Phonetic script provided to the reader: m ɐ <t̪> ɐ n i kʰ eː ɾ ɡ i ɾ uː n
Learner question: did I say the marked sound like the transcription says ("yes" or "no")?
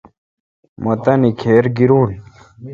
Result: yes